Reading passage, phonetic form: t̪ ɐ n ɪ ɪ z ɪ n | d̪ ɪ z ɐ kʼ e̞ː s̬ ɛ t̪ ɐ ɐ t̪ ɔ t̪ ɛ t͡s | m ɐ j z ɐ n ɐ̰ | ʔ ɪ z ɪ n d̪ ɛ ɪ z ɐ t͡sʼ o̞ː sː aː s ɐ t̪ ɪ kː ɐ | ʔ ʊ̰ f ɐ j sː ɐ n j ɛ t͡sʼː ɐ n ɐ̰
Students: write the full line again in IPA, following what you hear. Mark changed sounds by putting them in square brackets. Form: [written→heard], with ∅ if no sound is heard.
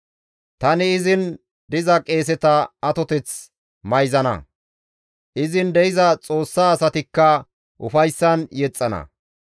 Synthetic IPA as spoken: t̪ ɐ n ɪ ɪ z ɪ n | d̪ ɪ z ɐ kʼ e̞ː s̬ ɛ t̪ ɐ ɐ t̪ ɔ t̪ ɛ t͡s | m ɐ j z ɐ n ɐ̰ | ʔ ɪ z ɪ n d̪ ɛ ɪ z ɐ t͡sʼ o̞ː sː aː s ɐ t̪ ɪ kː ɐ | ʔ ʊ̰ f ɐ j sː ɐ n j ɛ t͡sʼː ɐ n ɐ̰